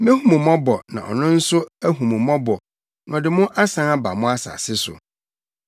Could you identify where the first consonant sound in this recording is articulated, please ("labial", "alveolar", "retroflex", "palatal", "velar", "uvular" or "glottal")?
labial